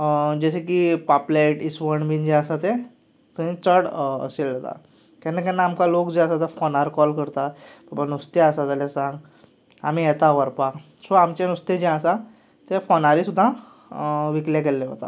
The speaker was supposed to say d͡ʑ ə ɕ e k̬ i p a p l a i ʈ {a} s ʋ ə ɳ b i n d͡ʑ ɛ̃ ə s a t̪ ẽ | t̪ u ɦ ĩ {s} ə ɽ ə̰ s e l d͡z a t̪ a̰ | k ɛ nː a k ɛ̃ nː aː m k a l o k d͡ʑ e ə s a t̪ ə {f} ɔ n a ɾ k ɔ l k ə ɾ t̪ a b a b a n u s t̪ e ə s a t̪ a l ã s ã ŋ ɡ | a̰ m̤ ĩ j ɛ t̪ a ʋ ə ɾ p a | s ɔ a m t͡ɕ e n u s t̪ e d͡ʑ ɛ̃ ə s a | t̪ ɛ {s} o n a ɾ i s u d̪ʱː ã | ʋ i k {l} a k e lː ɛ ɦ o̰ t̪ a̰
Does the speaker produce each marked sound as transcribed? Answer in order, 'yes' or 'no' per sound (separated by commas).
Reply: no, no, yes, no, yes